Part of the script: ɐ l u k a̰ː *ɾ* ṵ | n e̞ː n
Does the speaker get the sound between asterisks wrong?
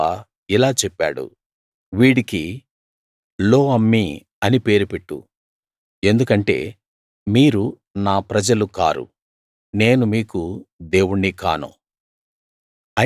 no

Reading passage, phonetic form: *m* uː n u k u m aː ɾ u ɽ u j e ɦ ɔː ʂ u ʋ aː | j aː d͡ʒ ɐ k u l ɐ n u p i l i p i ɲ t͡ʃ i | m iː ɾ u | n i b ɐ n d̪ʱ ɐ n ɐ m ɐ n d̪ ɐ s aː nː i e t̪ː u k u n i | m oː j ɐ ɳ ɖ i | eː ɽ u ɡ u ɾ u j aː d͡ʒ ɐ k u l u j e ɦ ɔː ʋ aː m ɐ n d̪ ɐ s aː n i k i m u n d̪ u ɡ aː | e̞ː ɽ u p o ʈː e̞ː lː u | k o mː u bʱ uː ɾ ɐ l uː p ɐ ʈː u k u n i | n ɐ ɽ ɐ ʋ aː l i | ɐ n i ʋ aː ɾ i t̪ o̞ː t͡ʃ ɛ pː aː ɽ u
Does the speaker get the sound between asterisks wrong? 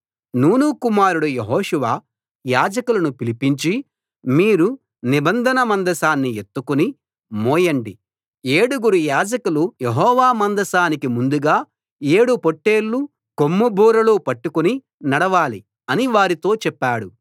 yes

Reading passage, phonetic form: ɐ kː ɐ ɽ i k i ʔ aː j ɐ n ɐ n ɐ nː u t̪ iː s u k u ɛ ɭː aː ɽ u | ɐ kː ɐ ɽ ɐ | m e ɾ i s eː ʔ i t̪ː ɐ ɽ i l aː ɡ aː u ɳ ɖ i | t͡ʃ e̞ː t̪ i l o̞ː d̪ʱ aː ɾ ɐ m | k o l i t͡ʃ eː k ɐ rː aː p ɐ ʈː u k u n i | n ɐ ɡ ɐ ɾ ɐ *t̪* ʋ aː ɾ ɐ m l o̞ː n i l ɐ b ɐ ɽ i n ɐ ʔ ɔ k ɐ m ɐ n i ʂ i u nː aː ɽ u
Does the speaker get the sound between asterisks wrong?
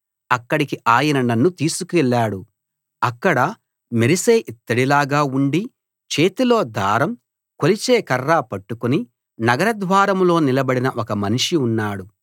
yes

